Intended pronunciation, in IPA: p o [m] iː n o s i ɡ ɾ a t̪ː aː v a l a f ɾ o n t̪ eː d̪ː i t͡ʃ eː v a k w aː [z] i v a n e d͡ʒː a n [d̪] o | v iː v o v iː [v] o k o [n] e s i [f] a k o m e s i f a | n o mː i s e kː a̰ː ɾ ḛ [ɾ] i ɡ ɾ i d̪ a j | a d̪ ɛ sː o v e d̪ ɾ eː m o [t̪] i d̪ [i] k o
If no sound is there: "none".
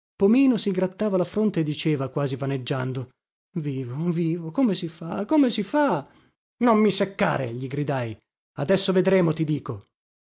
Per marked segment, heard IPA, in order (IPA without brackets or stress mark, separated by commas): m, z, d̪, v, m, f, ʎ, t̪, iː